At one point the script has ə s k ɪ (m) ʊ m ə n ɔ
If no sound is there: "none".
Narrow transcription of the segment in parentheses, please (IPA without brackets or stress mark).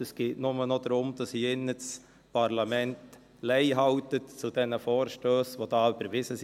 n